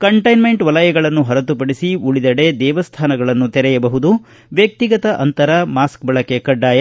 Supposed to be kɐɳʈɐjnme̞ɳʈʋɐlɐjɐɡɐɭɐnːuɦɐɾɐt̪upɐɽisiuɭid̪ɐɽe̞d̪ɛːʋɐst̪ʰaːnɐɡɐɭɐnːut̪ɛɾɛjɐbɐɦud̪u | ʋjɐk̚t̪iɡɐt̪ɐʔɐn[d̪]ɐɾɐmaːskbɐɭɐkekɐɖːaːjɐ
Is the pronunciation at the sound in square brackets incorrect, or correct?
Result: incorrect